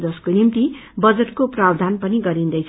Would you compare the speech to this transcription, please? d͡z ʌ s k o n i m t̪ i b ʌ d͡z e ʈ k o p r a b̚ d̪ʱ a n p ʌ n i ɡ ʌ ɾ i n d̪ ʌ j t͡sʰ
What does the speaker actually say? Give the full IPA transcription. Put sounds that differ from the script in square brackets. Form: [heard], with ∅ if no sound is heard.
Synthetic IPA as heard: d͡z ʌ s k o n i m t̪ i b ʌ d͡z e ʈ k o p r a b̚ d̪ʱ a n p ʌ n i ɡ ʌ ɾ i n d̪ ʌ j t͡sʰ